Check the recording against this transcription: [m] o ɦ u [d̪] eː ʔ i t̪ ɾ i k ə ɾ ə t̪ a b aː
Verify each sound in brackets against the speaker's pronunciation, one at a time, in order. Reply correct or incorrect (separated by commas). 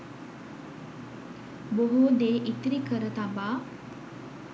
incorrect, correct